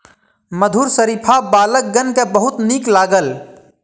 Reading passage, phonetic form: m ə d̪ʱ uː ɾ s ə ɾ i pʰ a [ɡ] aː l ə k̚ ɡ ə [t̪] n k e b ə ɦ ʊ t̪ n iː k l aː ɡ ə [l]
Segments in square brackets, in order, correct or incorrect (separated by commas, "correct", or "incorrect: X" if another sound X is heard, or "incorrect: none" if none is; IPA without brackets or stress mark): incorrect: b, incorrect: none, correct